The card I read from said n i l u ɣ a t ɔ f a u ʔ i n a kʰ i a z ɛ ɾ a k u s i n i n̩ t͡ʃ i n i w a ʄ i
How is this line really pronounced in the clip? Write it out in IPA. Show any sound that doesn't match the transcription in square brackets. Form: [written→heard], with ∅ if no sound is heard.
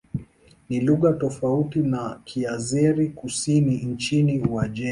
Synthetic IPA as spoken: n i l u ɣ a t ɔ f a u [ʔ→t] i n a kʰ i a z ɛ ɾ [a→i] k u s i n i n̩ t͡ʃ i n i w a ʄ [i→ɛ]